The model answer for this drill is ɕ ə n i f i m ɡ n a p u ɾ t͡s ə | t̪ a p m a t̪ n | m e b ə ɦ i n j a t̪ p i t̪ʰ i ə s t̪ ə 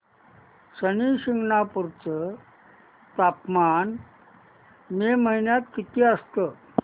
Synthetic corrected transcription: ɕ ə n i ɕ i ŋ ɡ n a p u ɾ t͡s ə | t̪ a p m a n | m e m ə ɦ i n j a t̪ k i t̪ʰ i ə s t̪ ə